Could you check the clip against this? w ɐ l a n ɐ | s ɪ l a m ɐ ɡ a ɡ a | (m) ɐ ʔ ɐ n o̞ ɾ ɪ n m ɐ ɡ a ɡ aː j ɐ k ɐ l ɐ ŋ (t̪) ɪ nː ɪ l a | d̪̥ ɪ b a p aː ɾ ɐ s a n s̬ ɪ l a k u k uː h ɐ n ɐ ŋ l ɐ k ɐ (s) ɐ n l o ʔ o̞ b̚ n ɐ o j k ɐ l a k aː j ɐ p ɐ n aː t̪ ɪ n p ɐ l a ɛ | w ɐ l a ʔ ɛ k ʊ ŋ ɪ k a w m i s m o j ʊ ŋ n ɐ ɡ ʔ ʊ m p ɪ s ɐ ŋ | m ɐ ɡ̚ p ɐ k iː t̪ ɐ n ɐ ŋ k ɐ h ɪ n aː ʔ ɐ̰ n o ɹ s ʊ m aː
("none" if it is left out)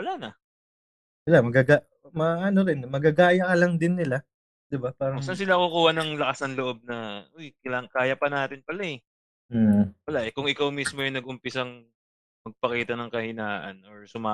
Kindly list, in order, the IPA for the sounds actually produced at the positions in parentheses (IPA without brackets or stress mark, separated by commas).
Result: m, d̪, s